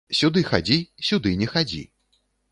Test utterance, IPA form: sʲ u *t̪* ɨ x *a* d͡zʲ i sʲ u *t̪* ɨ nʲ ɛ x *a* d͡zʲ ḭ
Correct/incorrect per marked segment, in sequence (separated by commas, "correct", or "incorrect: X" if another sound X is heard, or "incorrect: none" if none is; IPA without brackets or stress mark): incorrect: d̪, correct, incorrect: d̪, correct